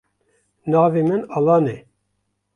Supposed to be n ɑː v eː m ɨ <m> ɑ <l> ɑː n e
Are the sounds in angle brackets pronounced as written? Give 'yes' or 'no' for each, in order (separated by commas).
no, yes